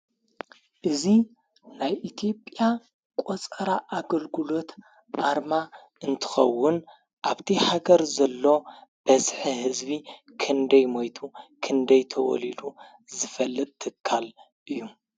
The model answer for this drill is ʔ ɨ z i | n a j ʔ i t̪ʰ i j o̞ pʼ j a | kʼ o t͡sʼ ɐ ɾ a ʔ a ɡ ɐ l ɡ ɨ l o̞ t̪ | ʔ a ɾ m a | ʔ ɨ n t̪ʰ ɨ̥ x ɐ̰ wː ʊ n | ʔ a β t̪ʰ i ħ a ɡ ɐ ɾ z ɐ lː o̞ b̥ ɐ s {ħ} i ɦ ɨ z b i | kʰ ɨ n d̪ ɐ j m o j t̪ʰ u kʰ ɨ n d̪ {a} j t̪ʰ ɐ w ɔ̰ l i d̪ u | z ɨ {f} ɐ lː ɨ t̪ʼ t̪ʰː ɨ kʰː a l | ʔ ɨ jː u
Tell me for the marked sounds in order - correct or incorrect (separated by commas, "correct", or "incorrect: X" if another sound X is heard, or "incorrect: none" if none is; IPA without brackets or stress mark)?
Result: correct, incorrect: ɐ, correct